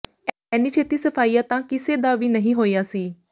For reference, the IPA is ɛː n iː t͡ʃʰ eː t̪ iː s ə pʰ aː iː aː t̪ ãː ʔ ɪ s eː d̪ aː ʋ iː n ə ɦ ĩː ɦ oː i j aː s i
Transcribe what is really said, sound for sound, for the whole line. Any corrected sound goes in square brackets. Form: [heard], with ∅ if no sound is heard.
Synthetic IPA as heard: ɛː n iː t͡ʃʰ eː t̪ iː s ə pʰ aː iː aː t̪ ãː [k] ɪ s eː d̪ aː ʋ iː n ə ɦ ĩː ɦ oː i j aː s [iː]